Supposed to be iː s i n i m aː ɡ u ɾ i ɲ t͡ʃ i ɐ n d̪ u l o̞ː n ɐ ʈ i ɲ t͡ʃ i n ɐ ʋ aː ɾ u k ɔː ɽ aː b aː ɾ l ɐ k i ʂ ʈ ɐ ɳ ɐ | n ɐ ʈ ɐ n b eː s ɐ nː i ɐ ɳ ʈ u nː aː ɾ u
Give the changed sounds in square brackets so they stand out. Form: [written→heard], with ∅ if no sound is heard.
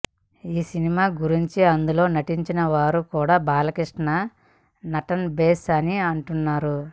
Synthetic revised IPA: iː s i n i m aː ɡ u ɾ i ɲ t͡ʃ i ɐ n d̪ u l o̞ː n ɐ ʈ i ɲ t͡ʃ i n ɐ ʋ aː ɾ u k [ɔː→uː] ɽ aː b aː [ɾ→∅] l ɐ k i ʂ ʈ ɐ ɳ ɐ | n ɐ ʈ ɐ n b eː s ɐ [nː→n] i ɐ ɳ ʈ u nː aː ɾ u